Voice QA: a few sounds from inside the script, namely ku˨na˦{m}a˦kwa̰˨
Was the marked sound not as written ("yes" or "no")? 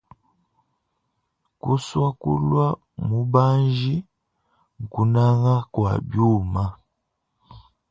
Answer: yes